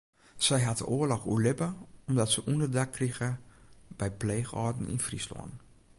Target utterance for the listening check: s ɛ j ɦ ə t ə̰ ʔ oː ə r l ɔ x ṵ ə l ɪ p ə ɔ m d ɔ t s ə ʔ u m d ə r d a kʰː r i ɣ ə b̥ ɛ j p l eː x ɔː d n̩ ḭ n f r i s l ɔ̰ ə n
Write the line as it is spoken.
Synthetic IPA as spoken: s ɛ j ɦ a t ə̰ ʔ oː ə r l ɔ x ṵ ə l ɪ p ə ɔ m d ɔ t s ə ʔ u n d ə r d a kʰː r i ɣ ə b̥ ɛ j p l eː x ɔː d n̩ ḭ n f r i s l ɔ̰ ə n